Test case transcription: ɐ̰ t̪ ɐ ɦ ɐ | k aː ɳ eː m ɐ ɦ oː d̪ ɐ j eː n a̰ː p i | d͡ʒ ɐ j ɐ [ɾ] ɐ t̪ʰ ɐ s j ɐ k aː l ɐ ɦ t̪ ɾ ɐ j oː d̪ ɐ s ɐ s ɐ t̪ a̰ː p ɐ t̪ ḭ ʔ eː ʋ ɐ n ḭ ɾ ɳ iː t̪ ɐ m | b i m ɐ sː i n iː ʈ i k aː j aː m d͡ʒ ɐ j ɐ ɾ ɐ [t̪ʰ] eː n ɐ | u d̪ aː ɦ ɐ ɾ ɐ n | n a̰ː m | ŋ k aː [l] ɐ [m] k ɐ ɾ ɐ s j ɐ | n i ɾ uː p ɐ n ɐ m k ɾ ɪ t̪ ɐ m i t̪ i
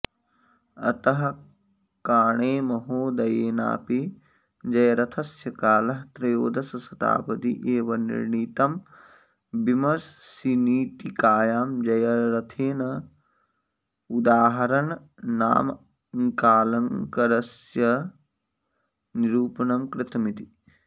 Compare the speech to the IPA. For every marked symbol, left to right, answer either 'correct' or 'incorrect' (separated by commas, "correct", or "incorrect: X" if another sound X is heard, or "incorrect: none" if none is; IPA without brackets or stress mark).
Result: correct, correct, correct, incorrect: ŋ